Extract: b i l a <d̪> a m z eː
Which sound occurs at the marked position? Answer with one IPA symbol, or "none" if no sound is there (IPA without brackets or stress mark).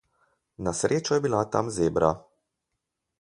t̪